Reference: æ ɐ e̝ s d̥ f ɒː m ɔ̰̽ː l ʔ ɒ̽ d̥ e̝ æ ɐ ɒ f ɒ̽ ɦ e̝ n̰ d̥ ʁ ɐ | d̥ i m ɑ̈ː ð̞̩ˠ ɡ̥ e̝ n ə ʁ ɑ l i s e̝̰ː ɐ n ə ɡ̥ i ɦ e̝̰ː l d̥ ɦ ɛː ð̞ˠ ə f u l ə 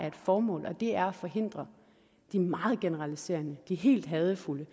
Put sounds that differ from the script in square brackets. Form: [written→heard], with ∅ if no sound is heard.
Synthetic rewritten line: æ ɐ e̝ [s→∅] d̥ f ɒː m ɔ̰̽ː l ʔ ɒ̽ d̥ e̝ æ ɐ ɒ f ɒ̽ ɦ e̝ n̰ d̥ ʁ ɐ | d̥ i m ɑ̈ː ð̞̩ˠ ɡ̥ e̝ n ə ʁ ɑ l i s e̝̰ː ɐ n ə [ɡ̥→d̥] i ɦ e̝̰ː l d̥ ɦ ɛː ð̞ˠ ə f u l ə